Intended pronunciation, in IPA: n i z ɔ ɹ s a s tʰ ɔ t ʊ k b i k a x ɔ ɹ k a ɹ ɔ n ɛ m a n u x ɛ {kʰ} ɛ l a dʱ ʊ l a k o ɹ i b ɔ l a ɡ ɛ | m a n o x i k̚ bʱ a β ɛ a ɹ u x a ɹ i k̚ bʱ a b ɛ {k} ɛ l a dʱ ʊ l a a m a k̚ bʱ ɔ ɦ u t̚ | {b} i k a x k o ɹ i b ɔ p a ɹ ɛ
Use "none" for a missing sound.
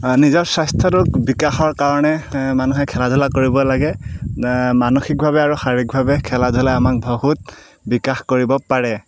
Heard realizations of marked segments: kʰ, kʰ, b

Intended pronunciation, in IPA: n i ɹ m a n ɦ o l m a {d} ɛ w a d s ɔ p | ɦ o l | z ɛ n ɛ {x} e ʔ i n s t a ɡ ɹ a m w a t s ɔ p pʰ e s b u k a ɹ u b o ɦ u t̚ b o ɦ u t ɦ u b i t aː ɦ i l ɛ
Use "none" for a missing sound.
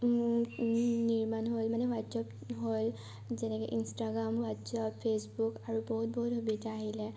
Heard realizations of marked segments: n, k

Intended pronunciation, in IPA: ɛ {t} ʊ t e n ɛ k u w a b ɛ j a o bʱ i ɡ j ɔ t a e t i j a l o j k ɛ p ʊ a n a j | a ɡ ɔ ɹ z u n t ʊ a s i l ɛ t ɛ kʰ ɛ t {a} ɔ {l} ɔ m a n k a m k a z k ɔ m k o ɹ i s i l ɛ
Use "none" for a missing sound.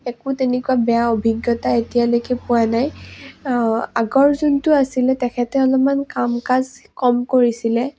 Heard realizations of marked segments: k, ɛ, l

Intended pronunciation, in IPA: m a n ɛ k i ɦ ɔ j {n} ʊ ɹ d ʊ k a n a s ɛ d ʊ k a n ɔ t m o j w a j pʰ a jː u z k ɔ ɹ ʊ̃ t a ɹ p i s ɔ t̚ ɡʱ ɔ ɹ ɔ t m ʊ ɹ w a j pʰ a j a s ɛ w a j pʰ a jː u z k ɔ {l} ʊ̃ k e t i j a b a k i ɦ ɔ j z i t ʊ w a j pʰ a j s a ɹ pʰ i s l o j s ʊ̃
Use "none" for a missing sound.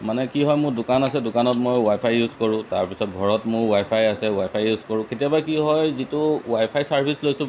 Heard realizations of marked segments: m, ɹ

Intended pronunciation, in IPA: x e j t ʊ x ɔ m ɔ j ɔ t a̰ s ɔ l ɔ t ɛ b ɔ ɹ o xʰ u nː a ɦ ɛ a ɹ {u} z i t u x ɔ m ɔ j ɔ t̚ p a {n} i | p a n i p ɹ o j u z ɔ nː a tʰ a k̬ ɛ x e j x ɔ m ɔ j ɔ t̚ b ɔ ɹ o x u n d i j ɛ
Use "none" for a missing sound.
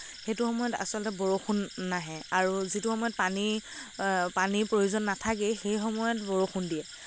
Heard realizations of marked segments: u, n

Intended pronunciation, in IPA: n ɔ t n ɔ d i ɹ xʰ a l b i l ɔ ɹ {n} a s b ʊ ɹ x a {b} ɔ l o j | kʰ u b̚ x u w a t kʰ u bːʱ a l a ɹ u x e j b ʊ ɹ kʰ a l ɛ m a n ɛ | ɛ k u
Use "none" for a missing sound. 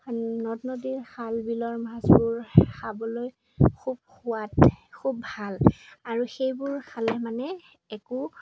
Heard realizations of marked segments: m, b

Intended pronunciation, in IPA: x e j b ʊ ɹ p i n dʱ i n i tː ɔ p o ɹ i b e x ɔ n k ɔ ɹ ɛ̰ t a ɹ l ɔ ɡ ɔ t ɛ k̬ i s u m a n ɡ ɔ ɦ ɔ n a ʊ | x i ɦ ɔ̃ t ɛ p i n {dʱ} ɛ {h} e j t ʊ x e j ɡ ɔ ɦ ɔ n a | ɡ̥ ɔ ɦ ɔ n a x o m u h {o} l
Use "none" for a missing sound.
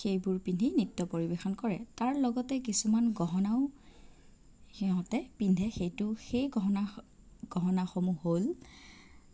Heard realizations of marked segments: dʱ, x, o

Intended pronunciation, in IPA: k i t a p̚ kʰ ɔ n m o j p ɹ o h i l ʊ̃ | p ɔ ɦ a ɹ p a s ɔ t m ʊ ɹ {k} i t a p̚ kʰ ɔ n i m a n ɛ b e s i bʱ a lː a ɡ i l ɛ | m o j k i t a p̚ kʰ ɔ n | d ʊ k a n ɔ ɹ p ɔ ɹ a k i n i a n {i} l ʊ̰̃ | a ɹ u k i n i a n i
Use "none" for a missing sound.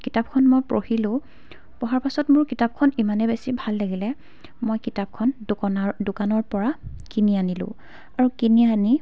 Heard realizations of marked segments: k, i

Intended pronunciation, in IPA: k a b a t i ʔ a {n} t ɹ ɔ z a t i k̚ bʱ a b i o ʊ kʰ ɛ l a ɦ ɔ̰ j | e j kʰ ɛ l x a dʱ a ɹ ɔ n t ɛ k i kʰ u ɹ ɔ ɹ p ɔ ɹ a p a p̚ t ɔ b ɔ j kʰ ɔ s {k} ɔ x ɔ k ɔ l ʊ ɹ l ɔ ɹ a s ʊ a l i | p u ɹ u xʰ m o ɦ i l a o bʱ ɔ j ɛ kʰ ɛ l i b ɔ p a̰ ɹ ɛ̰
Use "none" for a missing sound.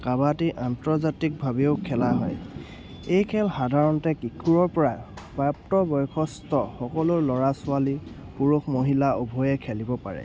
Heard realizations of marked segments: n, t

